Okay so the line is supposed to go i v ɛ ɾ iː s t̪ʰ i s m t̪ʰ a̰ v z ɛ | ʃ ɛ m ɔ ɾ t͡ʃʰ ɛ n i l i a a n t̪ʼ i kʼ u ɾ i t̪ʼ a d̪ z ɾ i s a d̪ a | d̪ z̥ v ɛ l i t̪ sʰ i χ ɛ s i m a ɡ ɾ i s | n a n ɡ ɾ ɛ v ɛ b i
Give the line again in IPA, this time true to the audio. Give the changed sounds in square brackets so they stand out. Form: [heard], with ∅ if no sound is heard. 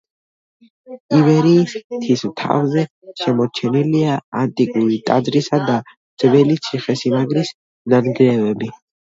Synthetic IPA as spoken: i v ɛ ɾ iː s t̪ʰ i s m t̪ʰ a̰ v z ɛ | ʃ ɛ m ɔ ɾ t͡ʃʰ ɛ n i l i a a n t̪ʼ i kʼ u ɾ i t̪ʼ a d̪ z ɾ i s a d̪ a | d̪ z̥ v ɛ l i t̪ sʰ i χ ɛ s i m a ɡ ɾ i s | n a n ɡ ɾ ɛ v ɛ b i